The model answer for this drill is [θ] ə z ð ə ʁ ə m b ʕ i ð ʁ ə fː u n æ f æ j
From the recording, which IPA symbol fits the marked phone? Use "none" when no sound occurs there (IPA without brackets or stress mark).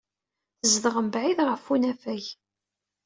θ